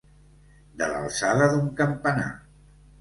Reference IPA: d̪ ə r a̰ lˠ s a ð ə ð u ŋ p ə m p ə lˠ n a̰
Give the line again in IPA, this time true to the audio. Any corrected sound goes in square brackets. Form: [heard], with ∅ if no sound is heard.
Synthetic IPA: d̪ ə [l] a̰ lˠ s a ð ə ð u ŋ [k] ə m p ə [∅] n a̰